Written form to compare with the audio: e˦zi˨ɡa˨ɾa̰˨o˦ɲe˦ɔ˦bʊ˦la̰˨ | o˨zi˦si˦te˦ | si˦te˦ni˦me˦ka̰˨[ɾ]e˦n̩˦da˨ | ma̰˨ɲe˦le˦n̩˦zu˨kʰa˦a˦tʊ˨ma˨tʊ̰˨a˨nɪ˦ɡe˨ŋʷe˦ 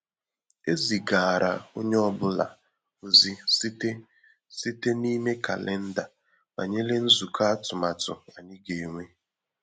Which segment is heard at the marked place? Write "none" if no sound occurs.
l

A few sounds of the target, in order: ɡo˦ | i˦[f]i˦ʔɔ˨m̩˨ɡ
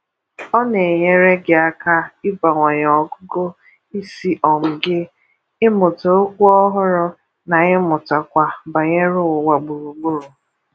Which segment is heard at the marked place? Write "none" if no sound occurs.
s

